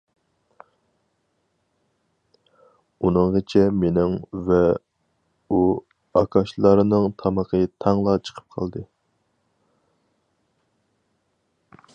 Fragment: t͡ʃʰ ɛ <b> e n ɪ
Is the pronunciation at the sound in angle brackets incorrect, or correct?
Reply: incorrect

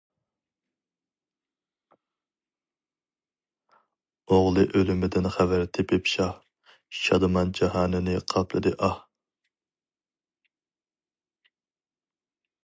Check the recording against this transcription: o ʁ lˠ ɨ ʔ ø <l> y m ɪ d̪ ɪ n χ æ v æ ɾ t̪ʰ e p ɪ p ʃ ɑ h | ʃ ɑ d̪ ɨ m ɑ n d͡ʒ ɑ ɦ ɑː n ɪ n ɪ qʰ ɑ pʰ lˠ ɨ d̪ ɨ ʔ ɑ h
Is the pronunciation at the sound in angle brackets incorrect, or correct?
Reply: correct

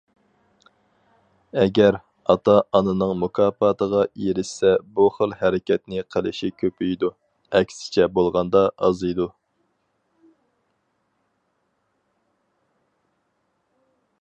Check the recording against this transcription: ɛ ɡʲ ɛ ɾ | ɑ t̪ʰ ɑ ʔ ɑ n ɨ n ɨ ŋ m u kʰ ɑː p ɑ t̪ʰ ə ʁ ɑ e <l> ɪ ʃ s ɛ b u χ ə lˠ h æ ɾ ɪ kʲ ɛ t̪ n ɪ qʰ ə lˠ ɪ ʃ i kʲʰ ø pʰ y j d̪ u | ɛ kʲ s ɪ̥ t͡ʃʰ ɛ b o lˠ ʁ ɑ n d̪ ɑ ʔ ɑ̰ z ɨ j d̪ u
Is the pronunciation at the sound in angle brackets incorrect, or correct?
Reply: incorrect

